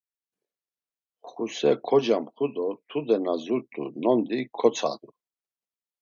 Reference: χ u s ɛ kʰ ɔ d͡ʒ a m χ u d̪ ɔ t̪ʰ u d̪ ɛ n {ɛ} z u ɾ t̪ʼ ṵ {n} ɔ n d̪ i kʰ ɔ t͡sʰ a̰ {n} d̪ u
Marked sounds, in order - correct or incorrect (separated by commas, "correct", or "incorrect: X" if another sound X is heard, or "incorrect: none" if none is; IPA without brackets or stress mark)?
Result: incorrect: a, correct, incorrect: none